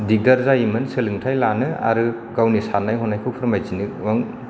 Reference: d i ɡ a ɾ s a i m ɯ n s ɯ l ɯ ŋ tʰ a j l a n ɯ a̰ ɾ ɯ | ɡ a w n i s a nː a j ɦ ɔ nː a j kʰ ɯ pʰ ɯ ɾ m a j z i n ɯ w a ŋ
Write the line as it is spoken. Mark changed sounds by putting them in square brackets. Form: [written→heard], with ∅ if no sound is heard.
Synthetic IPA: d i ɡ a ɾ [s→z] a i m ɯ n s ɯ l ɯ ŋ tʰ a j l a n ɯ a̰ ɾ ɯ | ɡ a w n i s a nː a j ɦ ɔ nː a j kʰ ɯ pʰ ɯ ɾ m a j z i n ɯ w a ŋ